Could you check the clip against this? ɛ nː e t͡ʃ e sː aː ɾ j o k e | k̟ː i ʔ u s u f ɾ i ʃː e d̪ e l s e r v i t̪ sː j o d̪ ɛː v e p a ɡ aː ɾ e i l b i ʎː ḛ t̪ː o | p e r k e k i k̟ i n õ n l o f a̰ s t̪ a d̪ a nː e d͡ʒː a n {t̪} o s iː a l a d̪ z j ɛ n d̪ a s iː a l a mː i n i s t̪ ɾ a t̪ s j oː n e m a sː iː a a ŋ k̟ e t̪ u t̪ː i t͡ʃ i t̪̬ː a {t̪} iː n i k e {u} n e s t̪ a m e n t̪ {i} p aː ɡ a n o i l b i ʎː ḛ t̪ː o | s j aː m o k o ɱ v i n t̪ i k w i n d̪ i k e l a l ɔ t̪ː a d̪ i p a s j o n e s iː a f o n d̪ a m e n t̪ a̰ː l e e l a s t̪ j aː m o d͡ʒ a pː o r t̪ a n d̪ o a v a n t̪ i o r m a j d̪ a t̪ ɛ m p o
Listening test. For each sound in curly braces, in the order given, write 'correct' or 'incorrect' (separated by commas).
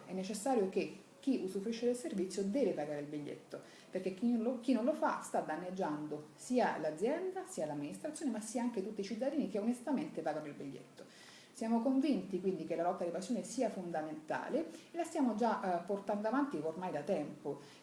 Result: incorrect, incorrect, incorrect, incorrect